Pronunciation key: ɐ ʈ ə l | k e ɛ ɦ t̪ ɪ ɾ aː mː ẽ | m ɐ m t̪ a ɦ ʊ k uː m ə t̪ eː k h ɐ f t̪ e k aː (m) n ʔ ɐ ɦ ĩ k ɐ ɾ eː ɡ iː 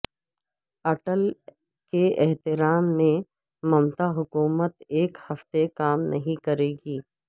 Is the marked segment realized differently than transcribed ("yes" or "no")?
no